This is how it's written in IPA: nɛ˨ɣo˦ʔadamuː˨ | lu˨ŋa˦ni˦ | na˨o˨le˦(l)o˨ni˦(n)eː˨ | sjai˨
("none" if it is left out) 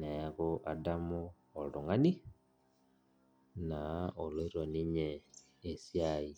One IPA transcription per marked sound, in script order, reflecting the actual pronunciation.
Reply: ɾ, ɲ

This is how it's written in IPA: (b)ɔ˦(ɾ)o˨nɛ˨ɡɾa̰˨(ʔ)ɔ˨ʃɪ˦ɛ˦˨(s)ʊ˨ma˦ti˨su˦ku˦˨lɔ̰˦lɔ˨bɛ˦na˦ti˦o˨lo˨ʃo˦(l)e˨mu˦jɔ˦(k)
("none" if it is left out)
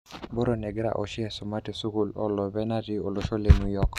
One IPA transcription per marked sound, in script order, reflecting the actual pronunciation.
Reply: b, ɾ, ʔ, s, l, k

